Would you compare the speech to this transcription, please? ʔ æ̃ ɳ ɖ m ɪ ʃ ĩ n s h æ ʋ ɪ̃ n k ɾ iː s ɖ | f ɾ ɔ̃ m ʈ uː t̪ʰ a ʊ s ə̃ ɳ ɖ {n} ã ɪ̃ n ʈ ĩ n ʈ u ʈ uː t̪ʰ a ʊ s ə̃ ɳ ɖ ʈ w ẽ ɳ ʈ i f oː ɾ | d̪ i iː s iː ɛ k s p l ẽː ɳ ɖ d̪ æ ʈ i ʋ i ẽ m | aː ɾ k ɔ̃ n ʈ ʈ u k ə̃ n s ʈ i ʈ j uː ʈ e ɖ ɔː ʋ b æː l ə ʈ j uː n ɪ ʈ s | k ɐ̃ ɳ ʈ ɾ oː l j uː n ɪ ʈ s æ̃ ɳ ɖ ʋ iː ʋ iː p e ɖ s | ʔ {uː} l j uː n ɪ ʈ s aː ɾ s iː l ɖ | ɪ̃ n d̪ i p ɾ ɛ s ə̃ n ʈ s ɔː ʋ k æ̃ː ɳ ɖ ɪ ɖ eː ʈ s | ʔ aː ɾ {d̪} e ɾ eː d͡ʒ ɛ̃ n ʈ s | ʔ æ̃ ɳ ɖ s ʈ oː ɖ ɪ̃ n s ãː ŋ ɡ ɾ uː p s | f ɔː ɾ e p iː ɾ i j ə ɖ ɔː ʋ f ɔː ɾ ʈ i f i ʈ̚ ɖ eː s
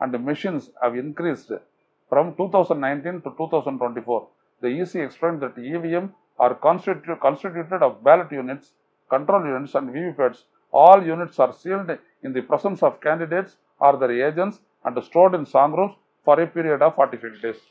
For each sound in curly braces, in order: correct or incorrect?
correct, incorrect: ɔː, correct

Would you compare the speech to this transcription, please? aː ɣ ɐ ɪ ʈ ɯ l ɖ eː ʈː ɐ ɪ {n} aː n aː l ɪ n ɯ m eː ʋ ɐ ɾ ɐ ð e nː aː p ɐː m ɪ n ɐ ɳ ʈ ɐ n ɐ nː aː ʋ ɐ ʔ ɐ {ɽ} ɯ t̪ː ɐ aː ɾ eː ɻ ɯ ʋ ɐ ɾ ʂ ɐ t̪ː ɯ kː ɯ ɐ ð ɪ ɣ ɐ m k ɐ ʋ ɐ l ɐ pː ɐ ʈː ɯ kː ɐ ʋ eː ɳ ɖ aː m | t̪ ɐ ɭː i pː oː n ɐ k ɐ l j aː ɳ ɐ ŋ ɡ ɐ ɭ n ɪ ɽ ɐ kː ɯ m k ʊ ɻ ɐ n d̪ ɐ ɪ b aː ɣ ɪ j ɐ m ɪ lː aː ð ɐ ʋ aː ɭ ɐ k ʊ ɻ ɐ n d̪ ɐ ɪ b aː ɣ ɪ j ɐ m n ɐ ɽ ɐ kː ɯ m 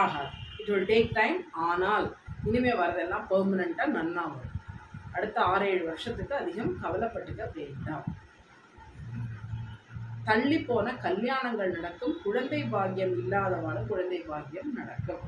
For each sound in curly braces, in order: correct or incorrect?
incorrect: m, correct

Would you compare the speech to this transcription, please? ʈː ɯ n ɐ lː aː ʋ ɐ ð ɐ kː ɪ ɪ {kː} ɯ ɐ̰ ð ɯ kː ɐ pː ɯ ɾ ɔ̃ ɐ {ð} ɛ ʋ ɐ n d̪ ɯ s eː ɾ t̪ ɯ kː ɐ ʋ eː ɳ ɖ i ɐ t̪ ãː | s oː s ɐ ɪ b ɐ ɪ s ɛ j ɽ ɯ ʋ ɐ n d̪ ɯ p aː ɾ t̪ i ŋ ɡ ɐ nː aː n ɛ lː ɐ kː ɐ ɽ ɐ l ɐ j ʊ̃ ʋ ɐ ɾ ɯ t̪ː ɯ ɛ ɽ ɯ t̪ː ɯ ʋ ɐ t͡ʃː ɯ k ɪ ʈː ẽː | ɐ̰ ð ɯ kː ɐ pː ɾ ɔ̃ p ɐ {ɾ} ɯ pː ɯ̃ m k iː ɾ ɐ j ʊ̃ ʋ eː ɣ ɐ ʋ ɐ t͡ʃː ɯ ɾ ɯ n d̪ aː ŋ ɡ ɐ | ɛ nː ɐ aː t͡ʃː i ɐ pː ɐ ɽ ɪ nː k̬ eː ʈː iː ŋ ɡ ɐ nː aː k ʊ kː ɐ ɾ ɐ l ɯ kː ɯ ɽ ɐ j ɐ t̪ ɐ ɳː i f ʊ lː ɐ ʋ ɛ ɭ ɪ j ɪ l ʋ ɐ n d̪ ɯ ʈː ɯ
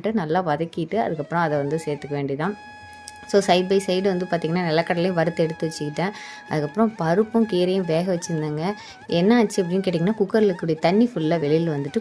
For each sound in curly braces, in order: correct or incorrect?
incorrect: ʈː, correct, correct

